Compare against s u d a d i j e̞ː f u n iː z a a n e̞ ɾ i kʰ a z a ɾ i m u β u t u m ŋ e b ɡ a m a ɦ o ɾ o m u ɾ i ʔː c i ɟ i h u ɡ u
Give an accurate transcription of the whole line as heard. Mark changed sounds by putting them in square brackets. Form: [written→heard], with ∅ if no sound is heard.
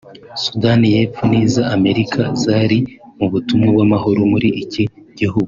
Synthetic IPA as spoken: s u d a [d→n] i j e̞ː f u n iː z a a [n→m] e̞ ɾ i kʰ a z a ɾ i m u β u t u m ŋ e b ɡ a m a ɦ o ɾ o m u ɾ i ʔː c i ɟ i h u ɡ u